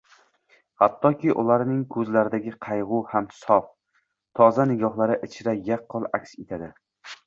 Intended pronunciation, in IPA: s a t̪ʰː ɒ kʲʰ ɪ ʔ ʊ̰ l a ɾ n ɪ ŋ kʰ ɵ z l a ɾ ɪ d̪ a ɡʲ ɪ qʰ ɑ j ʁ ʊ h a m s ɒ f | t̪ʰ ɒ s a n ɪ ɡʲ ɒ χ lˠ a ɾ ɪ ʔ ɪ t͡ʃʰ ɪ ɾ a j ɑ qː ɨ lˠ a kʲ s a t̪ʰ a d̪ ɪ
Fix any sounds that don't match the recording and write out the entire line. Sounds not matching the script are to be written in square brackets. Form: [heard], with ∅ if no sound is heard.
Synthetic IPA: [h] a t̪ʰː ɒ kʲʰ ɪ ʔ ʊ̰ l a ɾ n ɪ ŋ kʰ ɵ z l a ɾ ɪ d̪ a ɡʲ ɪ qʰ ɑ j ʁ ʊ h a m s ɒ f | t̪ʰ ɒ [z] a n ɪ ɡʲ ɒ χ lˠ a ɾ ɪ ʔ ɪ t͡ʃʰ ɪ ɾ a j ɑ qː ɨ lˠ a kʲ s [e] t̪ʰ a d̪ ɪ